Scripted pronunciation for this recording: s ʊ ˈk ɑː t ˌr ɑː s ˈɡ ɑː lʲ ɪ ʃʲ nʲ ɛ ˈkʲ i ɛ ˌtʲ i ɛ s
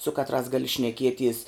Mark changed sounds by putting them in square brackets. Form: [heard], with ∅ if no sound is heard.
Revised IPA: s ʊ ˈk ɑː t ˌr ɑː s ˈɡ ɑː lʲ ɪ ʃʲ nʲ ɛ ˈkʲ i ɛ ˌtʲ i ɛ s